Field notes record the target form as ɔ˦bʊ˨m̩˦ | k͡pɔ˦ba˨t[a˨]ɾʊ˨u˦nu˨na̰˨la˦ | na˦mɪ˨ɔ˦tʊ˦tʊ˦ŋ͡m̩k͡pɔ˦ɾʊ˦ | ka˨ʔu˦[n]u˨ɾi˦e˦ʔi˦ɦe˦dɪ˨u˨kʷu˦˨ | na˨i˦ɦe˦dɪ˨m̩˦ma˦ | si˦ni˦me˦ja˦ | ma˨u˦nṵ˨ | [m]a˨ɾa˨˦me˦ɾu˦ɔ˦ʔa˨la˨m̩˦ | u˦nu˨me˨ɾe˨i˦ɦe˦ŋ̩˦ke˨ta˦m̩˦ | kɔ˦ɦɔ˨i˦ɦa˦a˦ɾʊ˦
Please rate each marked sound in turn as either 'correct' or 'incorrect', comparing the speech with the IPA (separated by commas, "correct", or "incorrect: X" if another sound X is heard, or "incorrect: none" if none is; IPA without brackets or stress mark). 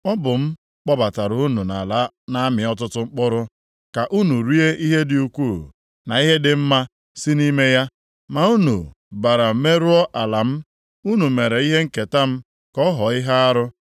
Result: correct, correct, incorrect: b